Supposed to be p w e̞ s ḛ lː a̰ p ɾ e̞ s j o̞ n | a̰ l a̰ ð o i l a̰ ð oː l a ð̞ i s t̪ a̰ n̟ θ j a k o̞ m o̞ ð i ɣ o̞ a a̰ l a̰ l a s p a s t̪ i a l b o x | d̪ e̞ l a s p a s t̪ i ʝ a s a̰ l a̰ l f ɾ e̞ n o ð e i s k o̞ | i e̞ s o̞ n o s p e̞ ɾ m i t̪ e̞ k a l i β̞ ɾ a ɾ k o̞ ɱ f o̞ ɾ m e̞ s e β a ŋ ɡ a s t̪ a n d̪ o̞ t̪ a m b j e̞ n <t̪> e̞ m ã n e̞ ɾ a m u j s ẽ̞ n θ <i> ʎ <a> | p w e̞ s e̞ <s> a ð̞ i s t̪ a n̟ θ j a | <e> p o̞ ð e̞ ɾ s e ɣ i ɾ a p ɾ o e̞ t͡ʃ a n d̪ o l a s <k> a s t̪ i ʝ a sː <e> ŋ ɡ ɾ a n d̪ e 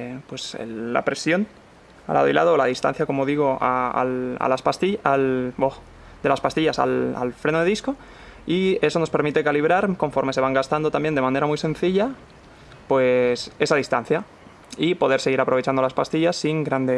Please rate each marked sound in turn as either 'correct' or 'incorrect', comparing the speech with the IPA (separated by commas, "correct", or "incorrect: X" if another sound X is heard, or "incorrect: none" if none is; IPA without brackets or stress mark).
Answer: incorrect: d̪, correct, correct, correct, incorrect: i, incorrect: p, incorrect: i